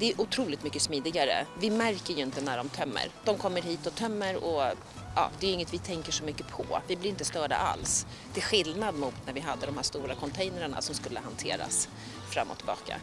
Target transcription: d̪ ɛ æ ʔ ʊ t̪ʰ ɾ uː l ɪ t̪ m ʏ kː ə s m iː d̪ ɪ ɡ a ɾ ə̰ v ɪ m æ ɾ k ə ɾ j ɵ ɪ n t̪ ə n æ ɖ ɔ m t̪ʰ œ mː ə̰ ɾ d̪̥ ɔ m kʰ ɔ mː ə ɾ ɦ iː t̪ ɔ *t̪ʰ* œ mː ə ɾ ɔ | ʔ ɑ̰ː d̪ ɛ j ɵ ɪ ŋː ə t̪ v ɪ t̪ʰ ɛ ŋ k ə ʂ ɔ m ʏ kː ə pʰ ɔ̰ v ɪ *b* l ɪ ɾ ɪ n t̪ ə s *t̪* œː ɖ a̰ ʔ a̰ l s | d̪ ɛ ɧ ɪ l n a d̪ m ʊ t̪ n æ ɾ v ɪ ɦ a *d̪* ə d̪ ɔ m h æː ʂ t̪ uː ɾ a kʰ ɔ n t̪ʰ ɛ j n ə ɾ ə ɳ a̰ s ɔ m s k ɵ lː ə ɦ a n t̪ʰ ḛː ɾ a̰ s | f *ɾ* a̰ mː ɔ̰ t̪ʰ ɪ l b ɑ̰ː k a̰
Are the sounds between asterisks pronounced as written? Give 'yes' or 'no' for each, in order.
yes, yes, yes, no, yes

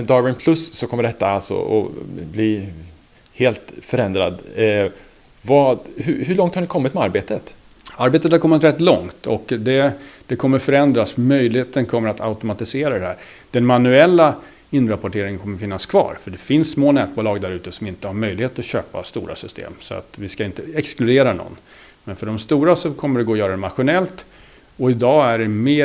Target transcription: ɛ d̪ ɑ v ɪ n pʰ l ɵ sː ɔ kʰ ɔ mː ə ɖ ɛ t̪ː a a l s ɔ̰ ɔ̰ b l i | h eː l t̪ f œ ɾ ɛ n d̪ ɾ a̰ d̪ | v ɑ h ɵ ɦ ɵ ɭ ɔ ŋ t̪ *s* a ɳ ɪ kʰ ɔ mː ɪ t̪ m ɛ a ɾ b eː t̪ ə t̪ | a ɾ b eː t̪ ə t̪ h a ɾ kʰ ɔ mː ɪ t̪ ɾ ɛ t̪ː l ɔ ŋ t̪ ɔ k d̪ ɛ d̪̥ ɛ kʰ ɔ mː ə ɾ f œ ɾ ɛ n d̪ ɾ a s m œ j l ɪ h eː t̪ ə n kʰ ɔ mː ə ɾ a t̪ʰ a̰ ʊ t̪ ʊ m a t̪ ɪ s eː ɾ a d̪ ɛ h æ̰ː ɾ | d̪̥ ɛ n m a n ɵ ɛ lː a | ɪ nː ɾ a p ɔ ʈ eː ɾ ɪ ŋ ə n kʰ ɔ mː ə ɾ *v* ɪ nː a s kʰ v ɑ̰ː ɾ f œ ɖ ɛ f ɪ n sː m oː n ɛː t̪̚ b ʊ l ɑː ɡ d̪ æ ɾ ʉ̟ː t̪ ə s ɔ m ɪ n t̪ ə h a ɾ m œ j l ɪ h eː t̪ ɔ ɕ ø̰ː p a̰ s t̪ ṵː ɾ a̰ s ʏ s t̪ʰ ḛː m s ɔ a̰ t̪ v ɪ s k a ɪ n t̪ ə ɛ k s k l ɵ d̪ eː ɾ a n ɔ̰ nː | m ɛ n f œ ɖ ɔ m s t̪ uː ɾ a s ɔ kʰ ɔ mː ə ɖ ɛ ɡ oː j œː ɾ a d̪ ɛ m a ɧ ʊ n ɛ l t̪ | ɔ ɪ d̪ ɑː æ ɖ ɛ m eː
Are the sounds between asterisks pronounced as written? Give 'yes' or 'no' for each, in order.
no, no

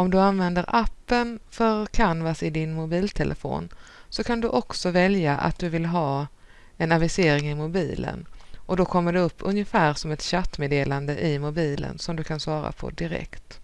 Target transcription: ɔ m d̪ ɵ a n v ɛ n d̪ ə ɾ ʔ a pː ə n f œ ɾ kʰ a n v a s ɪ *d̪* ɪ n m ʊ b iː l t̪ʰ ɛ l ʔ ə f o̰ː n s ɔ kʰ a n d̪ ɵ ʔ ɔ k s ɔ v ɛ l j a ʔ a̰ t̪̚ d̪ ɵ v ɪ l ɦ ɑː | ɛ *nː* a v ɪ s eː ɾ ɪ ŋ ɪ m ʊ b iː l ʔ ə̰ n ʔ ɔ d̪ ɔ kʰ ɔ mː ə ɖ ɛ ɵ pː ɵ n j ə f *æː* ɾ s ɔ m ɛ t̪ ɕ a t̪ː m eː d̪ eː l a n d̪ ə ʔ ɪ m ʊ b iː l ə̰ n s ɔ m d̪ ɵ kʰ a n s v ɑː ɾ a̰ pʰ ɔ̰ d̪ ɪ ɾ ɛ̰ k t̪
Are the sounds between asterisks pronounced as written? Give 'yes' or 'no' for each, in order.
yes, no, yes

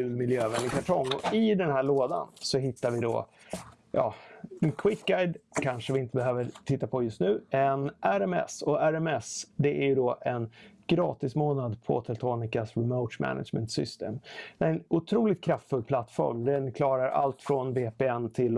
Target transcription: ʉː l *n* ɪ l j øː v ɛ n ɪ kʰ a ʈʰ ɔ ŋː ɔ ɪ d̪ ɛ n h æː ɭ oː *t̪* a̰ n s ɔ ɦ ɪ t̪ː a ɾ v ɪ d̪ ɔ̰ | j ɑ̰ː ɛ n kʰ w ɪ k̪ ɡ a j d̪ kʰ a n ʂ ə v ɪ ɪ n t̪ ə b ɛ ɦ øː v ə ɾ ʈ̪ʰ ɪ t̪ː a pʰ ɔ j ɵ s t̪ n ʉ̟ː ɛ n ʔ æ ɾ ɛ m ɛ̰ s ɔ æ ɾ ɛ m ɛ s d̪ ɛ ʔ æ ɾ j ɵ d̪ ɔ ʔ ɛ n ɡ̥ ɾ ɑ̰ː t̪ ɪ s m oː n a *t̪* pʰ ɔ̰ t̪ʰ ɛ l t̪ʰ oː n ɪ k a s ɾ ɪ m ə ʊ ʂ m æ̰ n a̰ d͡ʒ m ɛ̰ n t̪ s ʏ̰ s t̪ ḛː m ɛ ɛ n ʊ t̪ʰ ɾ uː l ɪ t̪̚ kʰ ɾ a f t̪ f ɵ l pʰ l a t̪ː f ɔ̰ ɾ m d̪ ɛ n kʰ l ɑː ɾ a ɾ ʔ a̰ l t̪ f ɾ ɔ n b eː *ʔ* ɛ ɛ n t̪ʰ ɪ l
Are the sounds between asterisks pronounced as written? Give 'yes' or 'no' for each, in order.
no, no, no, no

